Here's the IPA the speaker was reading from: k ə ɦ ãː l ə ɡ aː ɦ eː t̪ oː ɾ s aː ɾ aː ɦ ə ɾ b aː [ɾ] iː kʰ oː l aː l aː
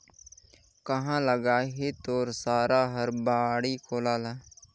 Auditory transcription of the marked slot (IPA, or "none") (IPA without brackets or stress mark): ɽ